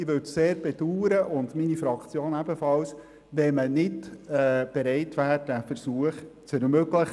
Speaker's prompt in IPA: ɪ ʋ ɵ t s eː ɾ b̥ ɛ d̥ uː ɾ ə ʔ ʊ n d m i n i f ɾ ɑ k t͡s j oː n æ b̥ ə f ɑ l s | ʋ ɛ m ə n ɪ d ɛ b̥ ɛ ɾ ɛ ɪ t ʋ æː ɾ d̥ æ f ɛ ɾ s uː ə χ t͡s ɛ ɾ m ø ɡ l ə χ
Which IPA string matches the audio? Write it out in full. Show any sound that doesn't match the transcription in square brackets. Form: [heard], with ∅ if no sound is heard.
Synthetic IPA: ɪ ʋ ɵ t s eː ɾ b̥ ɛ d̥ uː ɾ ə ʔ ʊ n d m i n i f ɾ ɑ k t͡s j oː n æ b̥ ə f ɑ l s | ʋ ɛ m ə n ɪ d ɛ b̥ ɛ ɾ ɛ ɪ t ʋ æː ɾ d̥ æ f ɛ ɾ s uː ə χ t͡s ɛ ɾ m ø ɡ l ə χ